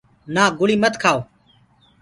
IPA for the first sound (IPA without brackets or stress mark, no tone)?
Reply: n